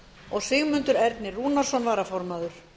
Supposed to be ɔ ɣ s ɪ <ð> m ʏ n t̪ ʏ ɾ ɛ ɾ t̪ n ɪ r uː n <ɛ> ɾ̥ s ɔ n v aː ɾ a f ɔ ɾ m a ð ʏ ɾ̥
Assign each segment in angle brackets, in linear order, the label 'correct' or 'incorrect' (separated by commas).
incorrect, incorrect